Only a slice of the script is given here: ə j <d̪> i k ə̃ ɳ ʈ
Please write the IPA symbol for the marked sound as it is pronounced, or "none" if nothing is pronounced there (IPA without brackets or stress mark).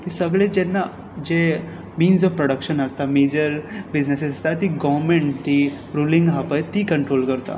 t̪